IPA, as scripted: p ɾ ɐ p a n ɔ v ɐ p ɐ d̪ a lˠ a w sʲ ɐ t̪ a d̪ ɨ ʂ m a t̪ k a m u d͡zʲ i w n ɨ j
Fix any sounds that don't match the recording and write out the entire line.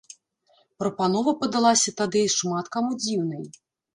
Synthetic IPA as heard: p ɾ ɐ p a n ɔ v ɐ p ɐ d̪ a lˠ a sʲ ɐ t̪ a d̪ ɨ ʂ m a t̪ k a m u d͡zʲ i w n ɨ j